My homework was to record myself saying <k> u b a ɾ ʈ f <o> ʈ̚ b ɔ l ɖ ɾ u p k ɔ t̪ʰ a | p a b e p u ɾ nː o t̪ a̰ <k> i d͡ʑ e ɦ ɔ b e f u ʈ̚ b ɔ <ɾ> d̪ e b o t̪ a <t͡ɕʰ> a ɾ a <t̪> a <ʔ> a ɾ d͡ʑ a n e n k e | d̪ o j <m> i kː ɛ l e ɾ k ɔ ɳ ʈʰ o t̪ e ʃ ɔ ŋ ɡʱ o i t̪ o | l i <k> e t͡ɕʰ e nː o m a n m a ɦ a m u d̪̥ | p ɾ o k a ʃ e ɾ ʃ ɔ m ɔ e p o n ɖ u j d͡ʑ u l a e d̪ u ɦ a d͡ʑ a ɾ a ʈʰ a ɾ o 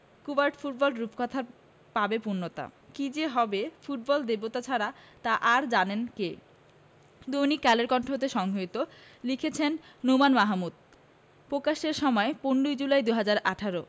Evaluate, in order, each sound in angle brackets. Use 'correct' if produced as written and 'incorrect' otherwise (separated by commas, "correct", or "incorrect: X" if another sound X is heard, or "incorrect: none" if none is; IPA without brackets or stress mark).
correct, incorrect: u, correct, incorrect: l, correct, correct, correct, incorrect: n, incorrect: kʰ